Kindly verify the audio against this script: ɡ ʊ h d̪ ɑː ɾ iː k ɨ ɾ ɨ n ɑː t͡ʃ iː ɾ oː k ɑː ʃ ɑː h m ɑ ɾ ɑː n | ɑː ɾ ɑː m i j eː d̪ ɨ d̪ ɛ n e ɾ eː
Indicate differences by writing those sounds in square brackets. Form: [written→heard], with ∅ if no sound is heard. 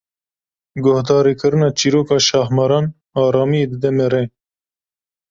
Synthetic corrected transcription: ɡ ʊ h d̪ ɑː ɾ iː k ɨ ɾ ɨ n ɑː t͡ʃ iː ɾ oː k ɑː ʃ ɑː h m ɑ ɾ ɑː n | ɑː ɾ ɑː m i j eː d̪ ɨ d̪ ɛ [n→m] e ɾ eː